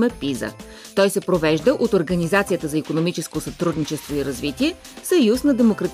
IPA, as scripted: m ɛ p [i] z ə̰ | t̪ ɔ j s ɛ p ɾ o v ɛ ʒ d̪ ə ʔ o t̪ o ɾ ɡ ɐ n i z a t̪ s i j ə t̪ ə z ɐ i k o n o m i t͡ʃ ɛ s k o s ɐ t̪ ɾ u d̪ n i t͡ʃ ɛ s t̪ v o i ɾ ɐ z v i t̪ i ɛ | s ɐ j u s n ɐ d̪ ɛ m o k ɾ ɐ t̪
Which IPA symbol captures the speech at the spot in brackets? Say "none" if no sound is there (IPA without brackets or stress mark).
i